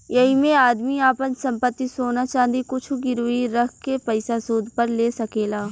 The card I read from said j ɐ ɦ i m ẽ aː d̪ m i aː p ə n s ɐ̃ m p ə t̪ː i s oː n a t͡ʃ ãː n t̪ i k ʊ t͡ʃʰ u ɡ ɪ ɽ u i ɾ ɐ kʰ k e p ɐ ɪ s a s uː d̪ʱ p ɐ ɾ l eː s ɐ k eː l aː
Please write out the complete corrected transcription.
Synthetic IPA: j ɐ ɦ i m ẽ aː d̪ m i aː p ə n s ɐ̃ m p ə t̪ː i s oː n a t͡ʃ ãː n d̪ i k ʊ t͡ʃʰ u ɡ ɪ ɾ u i ɾ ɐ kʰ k e p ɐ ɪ s a s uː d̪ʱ p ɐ ɾ l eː s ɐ k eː l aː

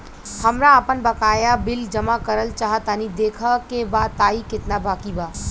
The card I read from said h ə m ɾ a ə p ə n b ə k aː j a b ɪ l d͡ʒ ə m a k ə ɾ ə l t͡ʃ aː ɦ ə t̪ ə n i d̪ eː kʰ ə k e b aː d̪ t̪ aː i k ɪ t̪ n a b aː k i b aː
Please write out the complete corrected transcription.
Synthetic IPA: h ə m ɾ a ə p ə n b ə k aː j a b ɪ l d͡ʒ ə m a k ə ɾ ə l t͡ʃ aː ɦ ə t̪ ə n i d̪ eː kʰ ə k e b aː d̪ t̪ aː i k ɪ t̪ n a b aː k i b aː

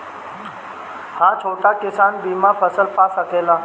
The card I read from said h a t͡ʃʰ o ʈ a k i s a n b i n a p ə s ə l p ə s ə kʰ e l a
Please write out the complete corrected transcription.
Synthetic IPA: h a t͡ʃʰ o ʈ a k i s a n b i m a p ə s ə l p a s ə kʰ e l a

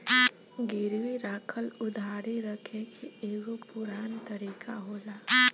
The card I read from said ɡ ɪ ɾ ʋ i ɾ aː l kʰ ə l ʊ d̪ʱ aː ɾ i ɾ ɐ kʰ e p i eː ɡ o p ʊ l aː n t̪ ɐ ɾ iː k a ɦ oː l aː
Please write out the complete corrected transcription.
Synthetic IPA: ɡ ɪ ɾ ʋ i ɾ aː kʰ ə l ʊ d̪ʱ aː ɾ i ɾ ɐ kʰ e k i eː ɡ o p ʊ ɾ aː n t̪ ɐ ɾ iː k a ɦ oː l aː

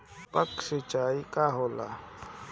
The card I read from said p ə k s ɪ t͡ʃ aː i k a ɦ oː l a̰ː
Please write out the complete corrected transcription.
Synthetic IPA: p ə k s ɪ t͡ʃ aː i k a ɦ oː l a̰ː

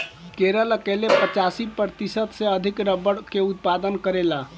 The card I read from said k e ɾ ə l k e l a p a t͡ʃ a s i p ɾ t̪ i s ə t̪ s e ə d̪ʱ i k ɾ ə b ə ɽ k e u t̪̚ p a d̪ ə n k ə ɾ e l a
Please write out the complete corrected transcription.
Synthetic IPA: k e ɾ ə l k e l e p ə t͡ʃ a s i p ɾ t̪ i s ə t̪ s e ə d̪ʱ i k ɾ ə b ə ɽ k e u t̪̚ p a d̪ ə n k ə ɾ e l a

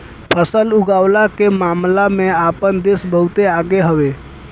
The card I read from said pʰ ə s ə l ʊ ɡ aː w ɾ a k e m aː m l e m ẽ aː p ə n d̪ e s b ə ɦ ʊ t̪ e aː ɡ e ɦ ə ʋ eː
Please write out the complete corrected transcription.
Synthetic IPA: pʰ ə s ə l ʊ ɡ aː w l a k e m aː m l a m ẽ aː p ə n d̪ e s b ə ɦ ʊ t̪ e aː ɡ e ɦ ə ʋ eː

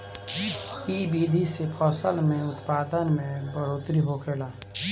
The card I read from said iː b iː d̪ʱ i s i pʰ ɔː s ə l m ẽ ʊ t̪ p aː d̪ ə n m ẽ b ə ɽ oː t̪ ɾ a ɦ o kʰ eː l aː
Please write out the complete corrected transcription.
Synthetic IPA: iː b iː d̪ʱ i s e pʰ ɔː s ə l m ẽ ʊ t̪ p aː d̪ ə n m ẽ b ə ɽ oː t̪ ɾ i ɦ o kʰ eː l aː

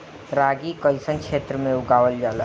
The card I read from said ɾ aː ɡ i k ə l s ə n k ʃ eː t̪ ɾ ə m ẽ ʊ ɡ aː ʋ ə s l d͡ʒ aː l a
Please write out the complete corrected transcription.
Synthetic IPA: ɾ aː ɡ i k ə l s ə n k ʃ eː t̪ ɾ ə m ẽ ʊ ɡ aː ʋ ə l d͡ʒ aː l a

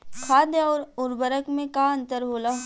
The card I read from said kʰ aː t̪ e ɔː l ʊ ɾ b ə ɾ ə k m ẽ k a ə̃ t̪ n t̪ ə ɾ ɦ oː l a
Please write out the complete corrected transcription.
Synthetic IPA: kʰ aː d̪ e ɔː ɾ ʊ ɾ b ə ɾ ə k m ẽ k a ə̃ n t̪ ə ɾ ɦ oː l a

